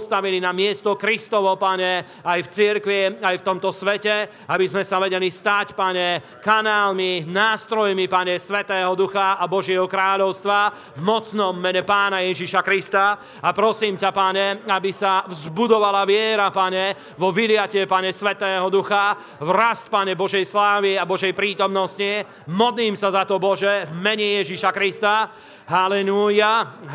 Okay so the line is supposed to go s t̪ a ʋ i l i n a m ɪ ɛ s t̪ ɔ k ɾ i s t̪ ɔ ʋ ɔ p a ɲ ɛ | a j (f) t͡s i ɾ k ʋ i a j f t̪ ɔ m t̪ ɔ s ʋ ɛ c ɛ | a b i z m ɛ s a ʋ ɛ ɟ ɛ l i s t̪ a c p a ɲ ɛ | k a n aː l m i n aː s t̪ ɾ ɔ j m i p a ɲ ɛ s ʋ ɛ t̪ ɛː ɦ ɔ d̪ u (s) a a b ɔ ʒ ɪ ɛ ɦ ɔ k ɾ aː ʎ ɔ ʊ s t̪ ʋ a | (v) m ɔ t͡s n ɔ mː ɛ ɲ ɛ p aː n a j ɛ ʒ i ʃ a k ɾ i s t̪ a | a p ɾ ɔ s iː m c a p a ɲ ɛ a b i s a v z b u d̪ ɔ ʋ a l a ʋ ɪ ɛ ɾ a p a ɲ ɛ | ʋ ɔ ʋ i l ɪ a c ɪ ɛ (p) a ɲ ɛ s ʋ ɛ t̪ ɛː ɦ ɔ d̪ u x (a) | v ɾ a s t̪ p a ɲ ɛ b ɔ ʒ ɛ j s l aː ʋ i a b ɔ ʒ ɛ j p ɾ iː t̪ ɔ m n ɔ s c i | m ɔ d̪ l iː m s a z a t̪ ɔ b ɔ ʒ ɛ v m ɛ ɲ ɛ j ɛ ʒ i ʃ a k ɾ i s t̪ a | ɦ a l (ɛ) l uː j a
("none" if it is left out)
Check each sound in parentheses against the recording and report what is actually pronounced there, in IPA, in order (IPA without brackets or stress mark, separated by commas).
f, x, v, p, a, ɛ